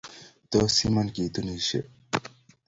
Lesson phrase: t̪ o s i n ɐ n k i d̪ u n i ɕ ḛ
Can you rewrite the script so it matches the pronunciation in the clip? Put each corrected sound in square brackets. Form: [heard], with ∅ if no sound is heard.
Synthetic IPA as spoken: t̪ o s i [m] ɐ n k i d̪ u n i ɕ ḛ